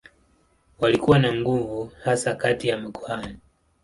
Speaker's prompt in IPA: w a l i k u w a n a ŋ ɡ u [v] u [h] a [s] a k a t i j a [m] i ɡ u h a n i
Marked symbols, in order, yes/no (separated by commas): yes, yes, yes, yes